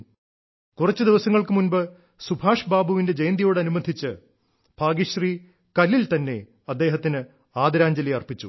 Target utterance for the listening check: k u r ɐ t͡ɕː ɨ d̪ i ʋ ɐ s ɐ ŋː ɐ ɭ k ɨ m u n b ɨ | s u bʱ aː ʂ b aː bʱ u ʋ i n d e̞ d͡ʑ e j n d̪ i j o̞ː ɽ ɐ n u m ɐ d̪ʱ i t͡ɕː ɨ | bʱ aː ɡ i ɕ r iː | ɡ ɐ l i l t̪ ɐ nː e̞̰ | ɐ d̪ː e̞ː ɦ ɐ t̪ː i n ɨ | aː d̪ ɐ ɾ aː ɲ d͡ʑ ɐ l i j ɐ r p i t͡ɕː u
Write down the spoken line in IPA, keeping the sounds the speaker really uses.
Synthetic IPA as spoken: k u r ɐ t͡ɕː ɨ d̪ i ʋ ɐ s ɐ ŋː ɐ ɭ k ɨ m u n b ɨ | s u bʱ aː ʂ b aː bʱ u ʋ i n d e̞ d͡ʑ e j n d̪ i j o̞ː ɽ ɐ n u m ɐ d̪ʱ i t͡ɕː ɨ | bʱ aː ɡ i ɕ r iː | k ɐ l i l t̪ ɐ nː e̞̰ | ɐ d̪ː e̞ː ɦ ɐ t̪ː i n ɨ | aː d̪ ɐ ɾ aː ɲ d͡ʑ ɐ l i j ɐ r p i t͡ɕː u